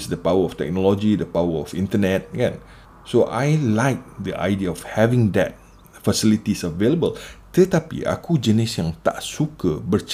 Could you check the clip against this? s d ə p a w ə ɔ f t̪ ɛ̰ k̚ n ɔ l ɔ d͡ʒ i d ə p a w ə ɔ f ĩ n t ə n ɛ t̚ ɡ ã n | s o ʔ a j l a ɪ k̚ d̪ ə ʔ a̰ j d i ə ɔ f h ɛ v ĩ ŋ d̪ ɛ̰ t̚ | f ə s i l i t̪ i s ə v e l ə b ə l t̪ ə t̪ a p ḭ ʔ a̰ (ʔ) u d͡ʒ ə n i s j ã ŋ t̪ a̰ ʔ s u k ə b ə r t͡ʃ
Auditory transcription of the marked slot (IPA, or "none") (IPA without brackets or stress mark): k